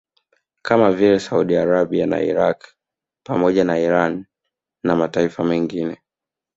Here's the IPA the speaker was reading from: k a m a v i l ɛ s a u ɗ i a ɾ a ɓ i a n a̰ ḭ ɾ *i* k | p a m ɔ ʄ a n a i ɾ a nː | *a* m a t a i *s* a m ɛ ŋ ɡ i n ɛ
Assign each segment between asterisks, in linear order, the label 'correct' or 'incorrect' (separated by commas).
incorrect, correct, incorrect